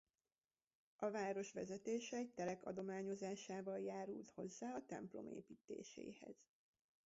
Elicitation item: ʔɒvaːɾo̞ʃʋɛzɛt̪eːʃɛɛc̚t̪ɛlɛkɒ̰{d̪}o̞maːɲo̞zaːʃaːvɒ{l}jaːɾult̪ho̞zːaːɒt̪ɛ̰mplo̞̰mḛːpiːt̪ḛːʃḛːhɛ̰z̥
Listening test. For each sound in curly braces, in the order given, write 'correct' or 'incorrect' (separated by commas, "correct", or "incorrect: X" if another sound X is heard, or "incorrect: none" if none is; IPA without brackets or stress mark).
correct, correct